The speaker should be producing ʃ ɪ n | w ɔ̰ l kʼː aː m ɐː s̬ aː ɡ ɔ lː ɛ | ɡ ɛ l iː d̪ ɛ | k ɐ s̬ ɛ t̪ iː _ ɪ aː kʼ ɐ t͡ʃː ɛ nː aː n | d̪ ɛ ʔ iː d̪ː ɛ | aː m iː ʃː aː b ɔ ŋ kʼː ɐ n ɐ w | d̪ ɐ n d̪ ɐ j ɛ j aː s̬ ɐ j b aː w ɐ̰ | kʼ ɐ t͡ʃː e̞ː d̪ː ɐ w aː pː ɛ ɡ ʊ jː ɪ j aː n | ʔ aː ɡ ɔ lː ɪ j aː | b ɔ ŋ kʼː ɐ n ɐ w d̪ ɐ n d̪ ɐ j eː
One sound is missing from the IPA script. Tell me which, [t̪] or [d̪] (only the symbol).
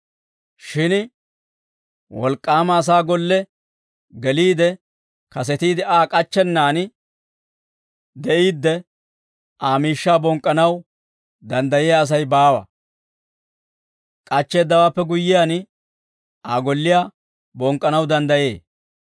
d̪